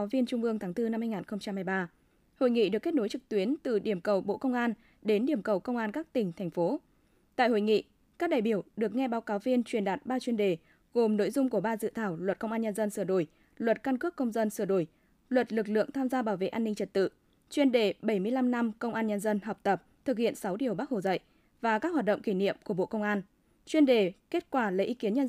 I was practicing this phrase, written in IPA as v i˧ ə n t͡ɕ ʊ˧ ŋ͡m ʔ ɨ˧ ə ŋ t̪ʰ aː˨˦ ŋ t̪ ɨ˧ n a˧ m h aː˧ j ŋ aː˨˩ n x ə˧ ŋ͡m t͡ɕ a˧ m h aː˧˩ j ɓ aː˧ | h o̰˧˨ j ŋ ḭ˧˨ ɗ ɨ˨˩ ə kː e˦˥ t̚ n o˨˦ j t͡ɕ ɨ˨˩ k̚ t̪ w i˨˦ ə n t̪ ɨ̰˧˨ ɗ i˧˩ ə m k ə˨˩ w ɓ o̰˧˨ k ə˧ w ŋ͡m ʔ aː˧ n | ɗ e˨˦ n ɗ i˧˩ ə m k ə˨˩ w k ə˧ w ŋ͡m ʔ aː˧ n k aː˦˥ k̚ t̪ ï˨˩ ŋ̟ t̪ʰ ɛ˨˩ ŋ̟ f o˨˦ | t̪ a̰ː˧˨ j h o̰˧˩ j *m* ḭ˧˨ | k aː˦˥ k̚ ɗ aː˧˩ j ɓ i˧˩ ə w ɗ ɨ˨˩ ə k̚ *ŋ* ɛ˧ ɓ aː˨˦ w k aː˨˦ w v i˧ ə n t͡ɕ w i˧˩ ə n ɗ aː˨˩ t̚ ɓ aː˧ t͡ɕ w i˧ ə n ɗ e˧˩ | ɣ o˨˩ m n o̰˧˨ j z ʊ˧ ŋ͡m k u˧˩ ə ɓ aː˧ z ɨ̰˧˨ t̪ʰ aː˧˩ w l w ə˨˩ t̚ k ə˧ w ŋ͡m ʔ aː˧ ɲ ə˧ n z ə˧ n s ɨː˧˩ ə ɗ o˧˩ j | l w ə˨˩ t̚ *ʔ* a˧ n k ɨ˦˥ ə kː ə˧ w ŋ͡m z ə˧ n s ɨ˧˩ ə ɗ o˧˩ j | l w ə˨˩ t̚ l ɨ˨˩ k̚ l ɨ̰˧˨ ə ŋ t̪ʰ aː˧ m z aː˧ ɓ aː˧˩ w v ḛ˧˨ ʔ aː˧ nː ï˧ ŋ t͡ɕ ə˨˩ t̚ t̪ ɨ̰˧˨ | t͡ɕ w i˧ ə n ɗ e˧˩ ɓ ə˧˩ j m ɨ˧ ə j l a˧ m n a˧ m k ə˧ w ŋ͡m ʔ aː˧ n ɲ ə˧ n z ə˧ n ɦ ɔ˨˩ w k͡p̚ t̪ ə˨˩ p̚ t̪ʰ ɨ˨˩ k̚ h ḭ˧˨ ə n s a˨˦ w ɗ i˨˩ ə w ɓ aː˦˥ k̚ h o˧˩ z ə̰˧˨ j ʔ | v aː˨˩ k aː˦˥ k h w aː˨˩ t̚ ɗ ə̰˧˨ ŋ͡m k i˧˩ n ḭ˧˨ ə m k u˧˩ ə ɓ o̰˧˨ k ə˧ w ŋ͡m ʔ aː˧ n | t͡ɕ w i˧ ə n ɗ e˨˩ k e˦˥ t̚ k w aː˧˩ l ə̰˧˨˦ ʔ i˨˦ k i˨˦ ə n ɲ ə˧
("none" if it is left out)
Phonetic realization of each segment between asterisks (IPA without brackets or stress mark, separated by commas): ŋ, ŋ, k